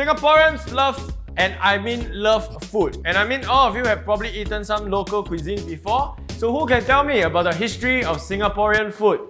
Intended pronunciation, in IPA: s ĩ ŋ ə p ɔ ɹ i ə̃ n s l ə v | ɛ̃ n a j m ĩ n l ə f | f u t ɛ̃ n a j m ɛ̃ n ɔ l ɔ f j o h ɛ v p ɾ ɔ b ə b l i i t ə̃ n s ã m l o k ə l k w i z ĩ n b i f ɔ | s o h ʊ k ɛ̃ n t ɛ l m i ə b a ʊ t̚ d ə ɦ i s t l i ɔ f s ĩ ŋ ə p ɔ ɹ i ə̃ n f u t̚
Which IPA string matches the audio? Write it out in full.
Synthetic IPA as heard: s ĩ ŋ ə p ɔ ɹ i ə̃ n s l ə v | ɛ̃ n a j m ĩ n l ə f | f u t ɛ̃ n a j m ĩ n ɔ l ɔ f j u h ɛ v p ɹ ɔ b ə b l i i t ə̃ n s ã m l o k ə l k w i z ĩ n b i f ɔ | s o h u k ɛ̃ n t ɛ l m i ə b a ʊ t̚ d ə ɦ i s t ɹ i ɔ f s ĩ ŋ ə p ɔ ɹ i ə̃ n f u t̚